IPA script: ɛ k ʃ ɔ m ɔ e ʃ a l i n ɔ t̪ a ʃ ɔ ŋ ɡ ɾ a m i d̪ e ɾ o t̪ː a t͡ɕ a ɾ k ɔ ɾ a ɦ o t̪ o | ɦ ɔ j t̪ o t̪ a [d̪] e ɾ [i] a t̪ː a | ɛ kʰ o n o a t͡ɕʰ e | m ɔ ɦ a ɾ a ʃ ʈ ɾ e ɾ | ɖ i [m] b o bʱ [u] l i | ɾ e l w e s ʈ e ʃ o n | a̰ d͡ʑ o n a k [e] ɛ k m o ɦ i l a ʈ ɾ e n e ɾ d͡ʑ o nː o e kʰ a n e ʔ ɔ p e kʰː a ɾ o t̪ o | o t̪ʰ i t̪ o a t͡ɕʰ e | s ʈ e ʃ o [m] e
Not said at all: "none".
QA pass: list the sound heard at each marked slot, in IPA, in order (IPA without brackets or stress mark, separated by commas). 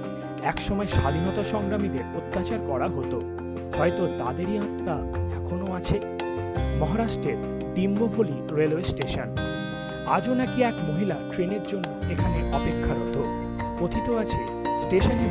d̪, i, m, o, i, n